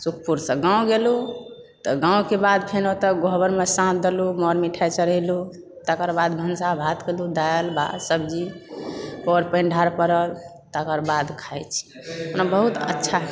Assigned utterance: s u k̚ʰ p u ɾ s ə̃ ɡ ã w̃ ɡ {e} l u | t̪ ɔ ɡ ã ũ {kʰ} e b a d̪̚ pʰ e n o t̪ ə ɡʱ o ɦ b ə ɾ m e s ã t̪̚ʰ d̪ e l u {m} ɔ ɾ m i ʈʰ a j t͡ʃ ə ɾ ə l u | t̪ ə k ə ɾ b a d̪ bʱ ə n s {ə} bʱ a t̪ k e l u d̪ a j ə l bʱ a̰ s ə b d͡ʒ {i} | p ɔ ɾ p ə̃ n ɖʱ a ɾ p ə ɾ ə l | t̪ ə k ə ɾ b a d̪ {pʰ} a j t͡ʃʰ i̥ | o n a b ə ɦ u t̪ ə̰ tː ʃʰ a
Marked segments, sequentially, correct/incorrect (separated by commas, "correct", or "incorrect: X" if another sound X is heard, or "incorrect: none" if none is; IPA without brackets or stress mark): correct, incorrect: k, correct, incorrect: a, correct, incorrect: kʰ